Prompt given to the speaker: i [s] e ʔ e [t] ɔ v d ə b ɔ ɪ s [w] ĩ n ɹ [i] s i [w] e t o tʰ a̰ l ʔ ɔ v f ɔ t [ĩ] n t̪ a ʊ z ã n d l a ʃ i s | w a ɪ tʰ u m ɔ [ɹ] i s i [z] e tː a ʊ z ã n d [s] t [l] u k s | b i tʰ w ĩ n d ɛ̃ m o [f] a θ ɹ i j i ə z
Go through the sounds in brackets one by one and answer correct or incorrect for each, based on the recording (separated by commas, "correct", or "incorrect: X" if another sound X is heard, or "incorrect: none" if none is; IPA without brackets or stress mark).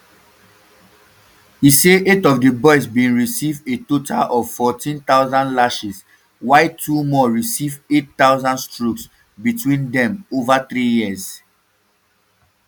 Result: correct, correct, incorrect: b, correct, incorrect: v, correct, correct, incorrect: v, correct, incorrect: ɹ, incorrect: v